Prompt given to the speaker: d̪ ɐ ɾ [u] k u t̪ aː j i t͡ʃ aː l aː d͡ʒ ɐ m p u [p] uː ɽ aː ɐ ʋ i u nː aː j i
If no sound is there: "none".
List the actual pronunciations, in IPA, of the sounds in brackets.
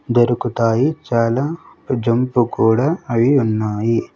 u, k

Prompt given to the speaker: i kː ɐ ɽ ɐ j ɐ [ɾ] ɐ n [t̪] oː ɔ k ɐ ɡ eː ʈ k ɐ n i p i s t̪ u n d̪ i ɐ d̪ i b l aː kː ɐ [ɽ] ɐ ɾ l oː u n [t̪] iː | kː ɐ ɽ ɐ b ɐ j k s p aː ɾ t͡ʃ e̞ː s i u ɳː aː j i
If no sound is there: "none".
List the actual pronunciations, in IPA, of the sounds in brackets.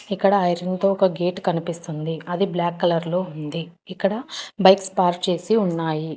ɾ, t̪, l, d̪

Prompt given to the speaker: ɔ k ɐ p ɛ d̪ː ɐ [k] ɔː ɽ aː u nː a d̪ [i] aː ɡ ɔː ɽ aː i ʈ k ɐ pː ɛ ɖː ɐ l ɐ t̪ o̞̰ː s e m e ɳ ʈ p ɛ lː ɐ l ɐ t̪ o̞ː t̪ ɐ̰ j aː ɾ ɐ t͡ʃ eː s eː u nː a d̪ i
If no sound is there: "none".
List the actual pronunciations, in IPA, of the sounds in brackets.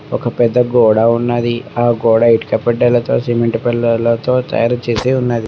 ɡ, i

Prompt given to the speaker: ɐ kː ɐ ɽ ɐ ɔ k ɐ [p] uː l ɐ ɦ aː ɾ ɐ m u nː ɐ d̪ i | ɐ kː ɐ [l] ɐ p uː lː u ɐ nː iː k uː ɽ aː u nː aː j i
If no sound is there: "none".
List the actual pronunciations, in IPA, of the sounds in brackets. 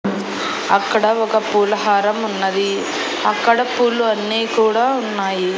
p, ɽ

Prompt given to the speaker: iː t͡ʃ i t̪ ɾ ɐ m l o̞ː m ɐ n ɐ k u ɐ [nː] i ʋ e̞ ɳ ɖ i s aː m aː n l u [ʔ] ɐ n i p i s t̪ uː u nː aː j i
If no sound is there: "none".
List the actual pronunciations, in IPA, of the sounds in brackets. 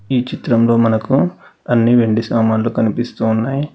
nː, k

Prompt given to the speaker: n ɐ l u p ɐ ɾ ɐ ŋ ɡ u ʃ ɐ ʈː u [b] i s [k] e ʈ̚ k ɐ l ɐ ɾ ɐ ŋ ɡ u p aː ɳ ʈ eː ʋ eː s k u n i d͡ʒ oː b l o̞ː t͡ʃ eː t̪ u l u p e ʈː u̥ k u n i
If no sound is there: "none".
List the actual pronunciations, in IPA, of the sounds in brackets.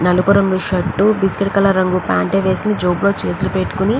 b, k

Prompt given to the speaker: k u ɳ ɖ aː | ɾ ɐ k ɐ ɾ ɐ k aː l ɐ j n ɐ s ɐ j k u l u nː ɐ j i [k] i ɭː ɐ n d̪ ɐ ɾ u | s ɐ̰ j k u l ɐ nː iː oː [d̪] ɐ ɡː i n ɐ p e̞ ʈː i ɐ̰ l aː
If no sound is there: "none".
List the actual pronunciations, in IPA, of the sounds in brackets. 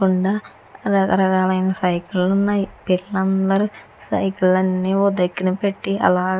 p, d̪

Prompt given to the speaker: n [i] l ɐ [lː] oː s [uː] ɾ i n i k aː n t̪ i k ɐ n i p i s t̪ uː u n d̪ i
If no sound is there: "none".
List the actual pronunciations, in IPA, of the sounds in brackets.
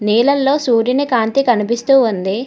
iː, lː, uː

